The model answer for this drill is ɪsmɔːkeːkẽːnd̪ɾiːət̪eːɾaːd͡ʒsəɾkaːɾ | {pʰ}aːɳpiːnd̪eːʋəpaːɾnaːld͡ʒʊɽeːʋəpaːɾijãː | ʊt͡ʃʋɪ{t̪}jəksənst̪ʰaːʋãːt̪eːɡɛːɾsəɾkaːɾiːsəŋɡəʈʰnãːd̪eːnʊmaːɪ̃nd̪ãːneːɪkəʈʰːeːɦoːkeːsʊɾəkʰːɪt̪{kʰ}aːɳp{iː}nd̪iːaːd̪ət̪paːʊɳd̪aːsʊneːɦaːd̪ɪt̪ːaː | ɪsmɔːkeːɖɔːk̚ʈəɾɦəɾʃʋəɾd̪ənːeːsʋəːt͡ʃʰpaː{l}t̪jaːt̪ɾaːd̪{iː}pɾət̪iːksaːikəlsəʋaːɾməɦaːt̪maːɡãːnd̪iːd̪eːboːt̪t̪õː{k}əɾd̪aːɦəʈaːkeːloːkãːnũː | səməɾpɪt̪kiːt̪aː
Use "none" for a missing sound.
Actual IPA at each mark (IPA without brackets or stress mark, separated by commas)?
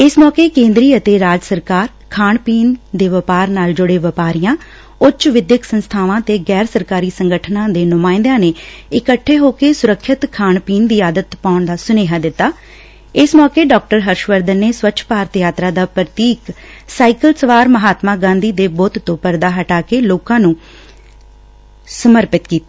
kʰ, d̪, kʰ, iː, ɾ, aː, p